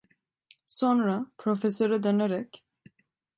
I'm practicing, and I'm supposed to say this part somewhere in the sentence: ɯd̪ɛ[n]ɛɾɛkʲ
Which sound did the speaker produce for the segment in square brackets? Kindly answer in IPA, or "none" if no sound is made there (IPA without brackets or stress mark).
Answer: n